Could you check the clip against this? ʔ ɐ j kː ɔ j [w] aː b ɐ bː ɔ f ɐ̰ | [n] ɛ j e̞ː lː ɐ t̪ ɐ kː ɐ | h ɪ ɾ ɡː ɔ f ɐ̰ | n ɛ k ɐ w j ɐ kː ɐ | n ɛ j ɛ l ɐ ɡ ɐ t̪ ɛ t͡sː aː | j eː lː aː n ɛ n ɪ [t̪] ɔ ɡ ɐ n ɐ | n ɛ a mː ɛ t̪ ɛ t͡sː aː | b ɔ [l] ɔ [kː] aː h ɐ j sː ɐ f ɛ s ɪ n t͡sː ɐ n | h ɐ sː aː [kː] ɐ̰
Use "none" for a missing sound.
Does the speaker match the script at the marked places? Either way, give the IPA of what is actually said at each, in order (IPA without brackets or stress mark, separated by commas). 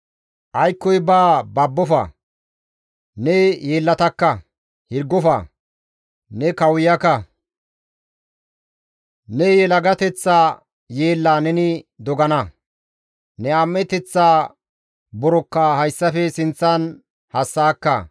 b, n, d̪, ɾ, kː, kː